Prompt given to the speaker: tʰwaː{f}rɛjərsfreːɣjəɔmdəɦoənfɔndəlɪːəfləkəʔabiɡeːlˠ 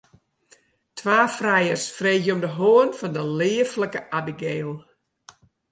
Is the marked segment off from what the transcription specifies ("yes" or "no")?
no